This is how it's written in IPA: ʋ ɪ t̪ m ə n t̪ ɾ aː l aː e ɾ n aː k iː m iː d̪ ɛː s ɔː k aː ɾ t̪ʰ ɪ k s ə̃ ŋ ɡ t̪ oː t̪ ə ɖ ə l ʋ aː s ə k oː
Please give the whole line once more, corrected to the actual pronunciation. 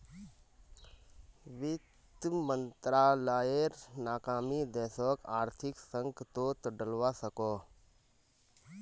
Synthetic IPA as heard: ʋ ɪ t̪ m ə n t̪ ɾ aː l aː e ɾ n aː k aː m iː d̪ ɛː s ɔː k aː ɾ t̪ʰ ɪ k s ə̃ ŋ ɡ t̪ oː t̪ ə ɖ ə l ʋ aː s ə k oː